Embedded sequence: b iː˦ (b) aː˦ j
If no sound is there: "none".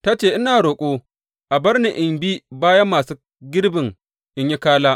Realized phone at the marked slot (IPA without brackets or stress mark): b